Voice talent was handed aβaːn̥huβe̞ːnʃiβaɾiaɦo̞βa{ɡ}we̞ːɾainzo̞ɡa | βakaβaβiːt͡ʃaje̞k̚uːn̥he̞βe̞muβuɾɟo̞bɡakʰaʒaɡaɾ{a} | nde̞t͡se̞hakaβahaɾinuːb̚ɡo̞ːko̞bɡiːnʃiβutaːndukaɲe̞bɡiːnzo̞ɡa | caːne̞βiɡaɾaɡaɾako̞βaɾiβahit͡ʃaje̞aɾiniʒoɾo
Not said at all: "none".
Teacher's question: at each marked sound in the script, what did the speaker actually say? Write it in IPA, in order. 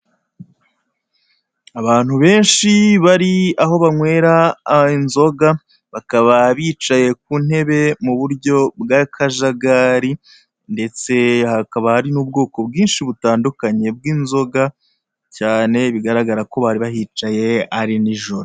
ŋ, i

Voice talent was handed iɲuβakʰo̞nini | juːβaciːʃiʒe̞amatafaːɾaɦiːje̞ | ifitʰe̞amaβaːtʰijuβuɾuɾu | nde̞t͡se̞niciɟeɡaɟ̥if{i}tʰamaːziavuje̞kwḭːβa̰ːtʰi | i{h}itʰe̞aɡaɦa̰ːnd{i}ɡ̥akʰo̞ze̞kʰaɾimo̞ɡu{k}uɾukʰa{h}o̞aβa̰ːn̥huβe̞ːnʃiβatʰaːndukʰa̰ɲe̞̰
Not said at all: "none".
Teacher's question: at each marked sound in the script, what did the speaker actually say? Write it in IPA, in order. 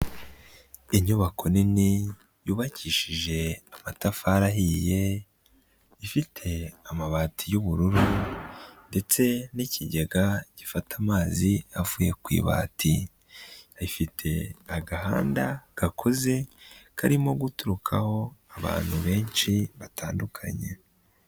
a, f, a, t, h

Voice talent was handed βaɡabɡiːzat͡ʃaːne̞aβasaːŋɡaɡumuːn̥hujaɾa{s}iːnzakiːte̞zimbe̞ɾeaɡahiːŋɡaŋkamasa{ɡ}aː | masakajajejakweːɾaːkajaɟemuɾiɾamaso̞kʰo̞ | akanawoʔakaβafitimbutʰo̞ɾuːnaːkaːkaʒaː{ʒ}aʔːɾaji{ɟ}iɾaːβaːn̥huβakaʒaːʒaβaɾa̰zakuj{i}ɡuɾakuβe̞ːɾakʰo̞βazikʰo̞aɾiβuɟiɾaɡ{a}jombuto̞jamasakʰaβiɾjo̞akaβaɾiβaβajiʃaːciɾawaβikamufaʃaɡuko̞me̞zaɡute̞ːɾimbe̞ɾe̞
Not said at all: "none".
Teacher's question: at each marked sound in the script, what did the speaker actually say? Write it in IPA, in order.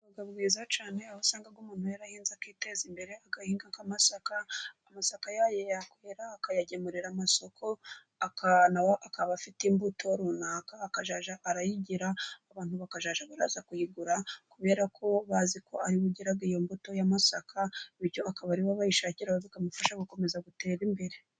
h, k, ʒ, ɟ, i, i

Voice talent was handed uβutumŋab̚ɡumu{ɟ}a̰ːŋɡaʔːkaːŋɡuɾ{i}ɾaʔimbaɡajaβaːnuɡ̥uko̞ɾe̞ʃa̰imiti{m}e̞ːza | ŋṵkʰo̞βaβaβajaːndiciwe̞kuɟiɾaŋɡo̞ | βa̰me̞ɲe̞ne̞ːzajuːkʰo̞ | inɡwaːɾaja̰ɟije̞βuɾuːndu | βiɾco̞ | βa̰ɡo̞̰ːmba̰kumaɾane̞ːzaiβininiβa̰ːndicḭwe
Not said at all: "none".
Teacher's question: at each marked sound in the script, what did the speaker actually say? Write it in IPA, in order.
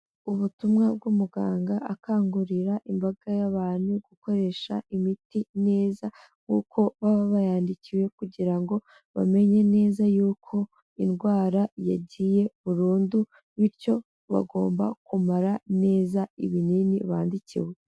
ɡ, i, n

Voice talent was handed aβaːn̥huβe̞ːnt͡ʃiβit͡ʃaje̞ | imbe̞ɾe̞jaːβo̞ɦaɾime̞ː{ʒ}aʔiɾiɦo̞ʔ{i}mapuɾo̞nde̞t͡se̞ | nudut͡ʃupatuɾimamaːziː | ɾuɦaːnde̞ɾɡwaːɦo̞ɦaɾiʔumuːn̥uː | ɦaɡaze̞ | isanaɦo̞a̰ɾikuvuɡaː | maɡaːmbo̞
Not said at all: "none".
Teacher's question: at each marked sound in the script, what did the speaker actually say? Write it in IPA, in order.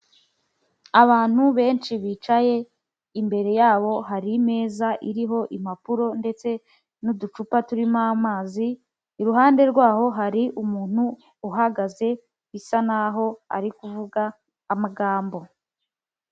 z, i

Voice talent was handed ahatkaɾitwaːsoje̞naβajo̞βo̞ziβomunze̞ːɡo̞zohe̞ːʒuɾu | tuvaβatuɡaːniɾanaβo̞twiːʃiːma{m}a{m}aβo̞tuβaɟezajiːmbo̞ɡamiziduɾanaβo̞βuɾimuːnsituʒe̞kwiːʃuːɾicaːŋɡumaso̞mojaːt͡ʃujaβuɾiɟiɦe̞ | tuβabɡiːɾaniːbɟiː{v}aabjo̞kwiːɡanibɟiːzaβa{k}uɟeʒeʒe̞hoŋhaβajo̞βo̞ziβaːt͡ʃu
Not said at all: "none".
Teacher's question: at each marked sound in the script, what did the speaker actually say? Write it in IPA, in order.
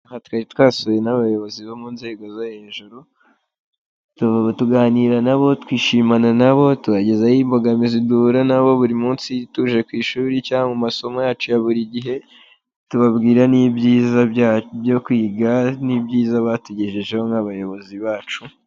n, n, z, t

